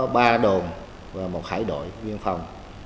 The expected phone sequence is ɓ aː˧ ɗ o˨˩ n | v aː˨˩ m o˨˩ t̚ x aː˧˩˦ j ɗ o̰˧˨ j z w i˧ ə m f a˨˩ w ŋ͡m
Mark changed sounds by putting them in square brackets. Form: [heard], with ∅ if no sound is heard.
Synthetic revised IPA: ɓ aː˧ ɗ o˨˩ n | v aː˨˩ m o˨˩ t̚ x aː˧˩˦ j ɗ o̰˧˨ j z w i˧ ə [n] f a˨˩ w ŋ͡m